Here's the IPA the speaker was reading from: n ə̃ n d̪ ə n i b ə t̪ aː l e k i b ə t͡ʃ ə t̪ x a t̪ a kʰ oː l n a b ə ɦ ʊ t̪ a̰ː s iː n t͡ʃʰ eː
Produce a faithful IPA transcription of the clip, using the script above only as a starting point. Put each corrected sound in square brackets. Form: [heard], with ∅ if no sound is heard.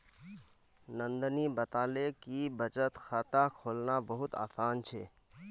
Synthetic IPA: n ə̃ n d̪ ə n i b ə t̪ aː l e k i b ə t͡ʃ ə t̪ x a t̪ a kʰ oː l n a b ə ɦ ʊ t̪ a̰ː s [aː] n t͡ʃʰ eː